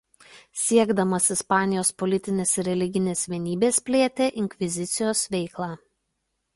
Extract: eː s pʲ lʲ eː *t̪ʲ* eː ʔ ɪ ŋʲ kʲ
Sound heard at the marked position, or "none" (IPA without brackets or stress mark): t̪ʲ